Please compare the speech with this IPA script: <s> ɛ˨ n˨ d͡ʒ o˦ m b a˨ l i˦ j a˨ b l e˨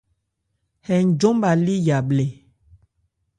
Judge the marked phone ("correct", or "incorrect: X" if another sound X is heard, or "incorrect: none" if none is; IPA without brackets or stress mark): incorrect: h